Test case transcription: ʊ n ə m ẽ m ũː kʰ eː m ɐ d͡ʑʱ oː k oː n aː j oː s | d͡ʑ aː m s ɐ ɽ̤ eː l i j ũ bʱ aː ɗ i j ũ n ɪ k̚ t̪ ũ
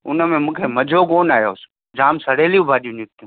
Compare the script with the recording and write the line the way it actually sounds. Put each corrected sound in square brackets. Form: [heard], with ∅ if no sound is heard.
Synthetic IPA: ʊ n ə m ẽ m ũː kʰ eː m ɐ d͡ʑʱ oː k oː n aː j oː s | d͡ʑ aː m s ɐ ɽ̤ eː l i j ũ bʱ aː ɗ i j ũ n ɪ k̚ t̪ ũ